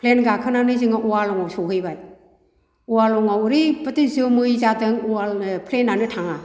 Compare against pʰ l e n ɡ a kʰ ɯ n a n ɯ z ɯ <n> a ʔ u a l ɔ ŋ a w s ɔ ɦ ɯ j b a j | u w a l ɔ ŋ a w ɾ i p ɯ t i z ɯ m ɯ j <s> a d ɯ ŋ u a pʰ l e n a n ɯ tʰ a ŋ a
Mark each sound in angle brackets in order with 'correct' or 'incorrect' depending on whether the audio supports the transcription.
incorrect, incorrect

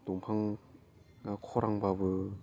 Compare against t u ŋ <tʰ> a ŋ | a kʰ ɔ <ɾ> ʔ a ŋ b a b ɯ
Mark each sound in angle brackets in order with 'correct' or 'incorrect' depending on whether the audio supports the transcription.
incorrect, correct

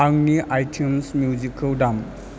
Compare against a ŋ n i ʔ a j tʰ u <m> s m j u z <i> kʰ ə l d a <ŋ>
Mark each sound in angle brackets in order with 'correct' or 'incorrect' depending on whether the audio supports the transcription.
correct, correct, incorrect

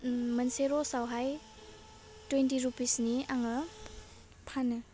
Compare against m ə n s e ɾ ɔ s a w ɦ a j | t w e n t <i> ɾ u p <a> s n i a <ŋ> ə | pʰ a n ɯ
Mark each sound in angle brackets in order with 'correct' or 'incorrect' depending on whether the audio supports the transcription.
correct, incorrect, correct

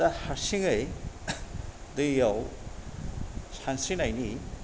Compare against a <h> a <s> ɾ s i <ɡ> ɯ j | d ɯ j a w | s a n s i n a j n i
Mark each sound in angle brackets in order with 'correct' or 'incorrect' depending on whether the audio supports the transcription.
correct, incorrect, incorrect

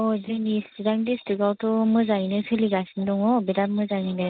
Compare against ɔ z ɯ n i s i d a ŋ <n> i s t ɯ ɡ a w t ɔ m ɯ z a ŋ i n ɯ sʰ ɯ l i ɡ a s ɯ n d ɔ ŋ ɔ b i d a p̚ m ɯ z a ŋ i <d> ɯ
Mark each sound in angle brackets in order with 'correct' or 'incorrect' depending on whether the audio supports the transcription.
incorrect, incorrect

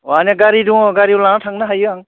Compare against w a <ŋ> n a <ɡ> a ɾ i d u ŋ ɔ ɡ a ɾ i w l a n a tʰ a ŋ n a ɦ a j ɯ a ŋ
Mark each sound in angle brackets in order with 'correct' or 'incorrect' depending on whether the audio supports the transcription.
incorrect, correct

